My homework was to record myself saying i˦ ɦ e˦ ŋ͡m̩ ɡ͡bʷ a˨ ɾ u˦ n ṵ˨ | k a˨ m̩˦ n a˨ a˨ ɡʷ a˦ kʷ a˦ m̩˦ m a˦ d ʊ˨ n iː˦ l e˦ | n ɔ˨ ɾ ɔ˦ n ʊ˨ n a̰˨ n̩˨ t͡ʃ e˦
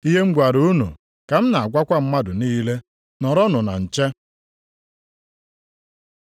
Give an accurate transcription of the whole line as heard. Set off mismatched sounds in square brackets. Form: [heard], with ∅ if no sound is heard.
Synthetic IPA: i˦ ɦ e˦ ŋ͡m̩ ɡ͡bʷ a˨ ɾ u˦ n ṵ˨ | k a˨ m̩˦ n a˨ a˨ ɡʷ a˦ kʷ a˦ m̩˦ m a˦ d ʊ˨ n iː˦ l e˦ | n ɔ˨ ɾ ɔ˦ n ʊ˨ n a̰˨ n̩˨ t͡ʃ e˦

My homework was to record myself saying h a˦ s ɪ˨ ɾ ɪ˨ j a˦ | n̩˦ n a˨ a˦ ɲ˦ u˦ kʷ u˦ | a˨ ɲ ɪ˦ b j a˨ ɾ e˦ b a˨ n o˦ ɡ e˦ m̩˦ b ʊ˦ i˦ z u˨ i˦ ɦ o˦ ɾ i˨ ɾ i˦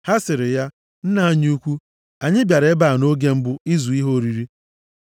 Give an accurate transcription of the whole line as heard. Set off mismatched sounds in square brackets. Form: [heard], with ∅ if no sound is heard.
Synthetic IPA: h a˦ s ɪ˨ ɾ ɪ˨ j a˦ | n̩˦ n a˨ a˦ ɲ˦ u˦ kʷ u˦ | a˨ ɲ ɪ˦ b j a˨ ɾ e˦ b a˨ n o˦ ɡ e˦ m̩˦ b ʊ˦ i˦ z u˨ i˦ ɦ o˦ ɾ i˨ ɾ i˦

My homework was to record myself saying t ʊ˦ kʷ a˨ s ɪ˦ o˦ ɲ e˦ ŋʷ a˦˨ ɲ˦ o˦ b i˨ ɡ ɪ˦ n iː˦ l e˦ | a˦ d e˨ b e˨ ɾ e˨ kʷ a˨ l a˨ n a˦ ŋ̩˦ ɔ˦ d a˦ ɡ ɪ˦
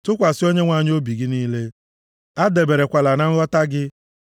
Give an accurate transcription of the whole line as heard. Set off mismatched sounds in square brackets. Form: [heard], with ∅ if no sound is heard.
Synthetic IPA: t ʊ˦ kʷ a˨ s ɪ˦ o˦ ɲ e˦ ŋʷ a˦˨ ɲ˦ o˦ b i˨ ɡ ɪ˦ n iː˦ l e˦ | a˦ d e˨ b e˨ ɾ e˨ kʷ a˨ l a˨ n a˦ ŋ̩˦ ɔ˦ [t] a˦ ɡ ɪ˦

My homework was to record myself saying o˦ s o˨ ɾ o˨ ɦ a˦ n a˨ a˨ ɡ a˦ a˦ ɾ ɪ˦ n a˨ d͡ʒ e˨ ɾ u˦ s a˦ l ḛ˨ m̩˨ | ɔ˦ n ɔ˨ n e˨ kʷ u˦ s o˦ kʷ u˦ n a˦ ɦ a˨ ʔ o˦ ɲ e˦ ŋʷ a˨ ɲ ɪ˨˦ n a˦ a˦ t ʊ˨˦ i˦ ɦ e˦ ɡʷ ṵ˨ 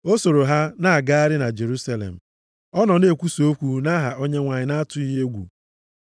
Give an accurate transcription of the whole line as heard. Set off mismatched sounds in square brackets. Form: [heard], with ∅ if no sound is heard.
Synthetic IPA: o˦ s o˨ ɾ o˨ ɦ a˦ n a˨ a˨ ɡ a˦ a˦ ɾ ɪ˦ n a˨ d͡ʒ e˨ ɾ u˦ s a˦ l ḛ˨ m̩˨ | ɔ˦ n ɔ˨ n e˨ kʷ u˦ s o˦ kʷ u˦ n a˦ ɦ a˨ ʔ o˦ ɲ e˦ ŋʷ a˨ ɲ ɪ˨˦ n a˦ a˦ t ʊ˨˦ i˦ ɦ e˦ ɡʷ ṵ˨

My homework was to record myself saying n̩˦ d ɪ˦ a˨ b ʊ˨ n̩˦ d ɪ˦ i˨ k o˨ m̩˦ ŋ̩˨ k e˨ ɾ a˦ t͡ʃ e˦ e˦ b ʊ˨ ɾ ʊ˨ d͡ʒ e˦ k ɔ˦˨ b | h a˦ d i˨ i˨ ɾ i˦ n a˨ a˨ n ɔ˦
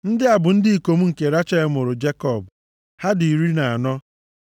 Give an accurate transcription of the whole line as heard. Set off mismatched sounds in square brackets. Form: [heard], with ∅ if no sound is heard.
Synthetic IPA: n̩˦ d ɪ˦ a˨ b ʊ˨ n̩˦ d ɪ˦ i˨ k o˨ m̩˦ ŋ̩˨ k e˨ ɾ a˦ t͡ʃ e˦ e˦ [m] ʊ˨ ɾ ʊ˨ d͡ʒ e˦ k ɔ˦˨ b | h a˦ d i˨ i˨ ɾ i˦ n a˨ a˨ n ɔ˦

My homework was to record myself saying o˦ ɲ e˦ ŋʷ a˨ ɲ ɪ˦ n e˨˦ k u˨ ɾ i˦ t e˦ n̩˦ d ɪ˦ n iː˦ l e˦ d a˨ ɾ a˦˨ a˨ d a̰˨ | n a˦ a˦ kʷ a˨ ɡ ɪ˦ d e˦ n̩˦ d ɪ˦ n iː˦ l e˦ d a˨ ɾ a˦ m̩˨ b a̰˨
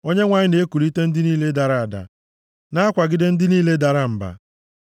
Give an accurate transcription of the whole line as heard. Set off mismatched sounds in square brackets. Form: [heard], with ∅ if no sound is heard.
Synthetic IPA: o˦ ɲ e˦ ŋʷ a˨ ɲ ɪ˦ n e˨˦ k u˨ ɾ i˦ t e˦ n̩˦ d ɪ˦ n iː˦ l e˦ d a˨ ɾ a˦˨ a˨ d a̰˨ | n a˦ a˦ kʷ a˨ ɡ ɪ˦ d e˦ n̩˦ d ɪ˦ n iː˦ l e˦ d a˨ ɾ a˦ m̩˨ b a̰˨

